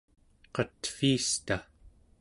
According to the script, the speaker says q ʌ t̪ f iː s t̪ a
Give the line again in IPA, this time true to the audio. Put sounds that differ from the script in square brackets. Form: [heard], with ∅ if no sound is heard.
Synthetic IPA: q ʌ t̪ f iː s t̪ a